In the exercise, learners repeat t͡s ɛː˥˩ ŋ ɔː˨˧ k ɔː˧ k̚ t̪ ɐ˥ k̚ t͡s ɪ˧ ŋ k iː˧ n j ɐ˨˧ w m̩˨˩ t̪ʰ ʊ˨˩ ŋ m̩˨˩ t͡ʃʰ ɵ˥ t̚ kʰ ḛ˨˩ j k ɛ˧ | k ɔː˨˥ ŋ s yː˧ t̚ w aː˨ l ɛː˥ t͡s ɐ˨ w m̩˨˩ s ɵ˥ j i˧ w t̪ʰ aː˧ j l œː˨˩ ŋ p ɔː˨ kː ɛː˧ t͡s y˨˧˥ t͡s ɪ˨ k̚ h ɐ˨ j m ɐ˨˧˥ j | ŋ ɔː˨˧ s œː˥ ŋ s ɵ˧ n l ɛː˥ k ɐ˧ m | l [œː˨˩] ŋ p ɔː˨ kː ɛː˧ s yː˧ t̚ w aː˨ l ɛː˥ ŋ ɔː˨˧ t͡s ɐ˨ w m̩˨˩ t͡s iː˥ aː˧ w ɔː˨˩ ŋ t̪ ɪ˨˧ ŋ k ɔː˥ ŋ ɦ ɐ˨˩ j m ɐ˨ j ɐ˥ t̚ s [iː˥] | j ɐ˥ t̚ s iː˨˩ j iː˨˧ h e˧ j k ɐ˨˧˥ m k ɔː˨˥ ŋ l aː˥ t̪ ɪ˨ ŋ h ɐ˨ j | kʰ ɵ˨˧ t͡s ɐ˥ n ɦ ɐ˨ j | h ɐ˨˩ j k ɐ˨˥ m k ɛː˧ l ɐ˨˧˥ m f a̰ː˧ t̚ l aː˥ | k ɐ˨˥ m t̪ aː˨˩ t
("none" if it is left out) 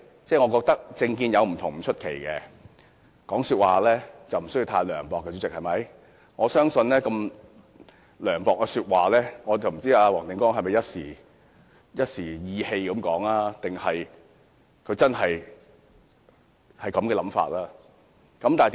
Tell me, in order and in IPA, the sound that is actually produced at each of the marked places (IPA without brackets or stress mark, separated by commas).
œː˨˩, iː˨˩